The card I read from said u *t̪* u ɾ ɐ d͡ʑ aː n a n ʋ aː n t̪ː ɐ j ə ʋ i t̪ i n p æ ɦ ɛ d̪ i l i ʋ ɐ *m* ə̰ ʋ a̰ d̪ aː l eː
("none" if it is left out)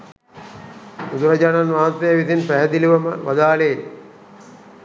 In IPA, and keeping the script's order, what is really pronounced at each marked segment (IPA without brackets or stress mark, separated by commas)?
d̪, m